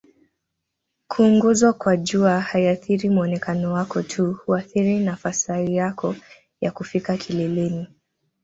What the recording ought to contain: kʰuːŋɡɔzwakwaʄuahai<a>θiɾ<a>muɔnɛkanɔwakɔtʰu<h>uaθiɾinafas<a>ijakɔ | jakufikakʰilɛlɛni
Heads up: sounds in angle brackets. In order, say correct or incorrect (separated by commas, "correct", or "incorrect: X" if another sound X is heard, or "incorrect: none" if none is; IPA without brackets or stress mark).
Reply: correct, incorrect: i, correct, correct